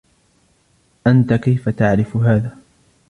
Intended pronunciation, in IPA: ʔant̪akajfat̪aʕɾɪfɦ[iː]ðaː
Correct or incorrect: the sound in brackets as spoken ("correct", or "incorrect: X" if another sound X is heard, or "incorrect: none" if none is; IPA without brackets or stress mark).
incorrect: aː